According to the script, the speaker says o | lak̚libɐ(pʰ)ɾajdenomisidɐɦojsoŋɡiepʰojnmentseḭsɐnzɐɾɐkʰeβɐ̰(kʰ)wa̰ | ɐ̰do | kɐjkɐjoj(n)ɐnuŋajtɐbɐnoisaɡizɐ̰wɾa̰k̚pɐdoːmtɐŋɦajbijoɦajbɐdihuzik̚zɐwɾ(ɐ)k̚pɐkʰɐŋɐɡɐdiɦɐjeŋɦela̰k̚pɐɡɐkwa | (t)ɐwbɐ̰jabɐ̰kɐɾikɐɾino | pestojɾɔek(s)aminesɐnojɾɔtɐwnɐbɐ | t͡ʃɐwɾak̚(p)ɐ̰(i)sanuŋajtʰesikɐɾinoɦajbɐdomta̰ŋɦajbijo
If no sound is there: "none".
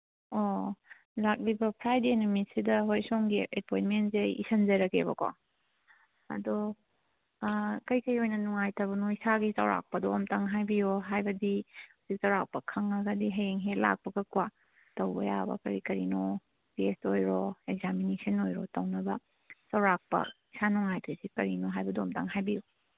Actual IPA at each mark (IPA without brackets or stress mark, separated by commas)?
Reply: pʰ, k, n, a, t, z, p, i